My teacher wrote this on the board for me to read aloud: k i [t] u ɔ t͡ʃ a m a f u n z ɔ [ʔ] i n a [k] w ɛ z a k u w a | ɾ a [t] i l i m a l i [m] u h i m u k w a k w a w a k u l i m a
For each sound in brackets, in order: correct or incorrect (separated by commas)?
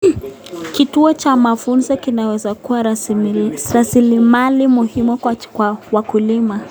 correct, incorrect, incorrect, incorrect, correct